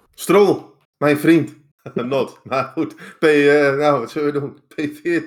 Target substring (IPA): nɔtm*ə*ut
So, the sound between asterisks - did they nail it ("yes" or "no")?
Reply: no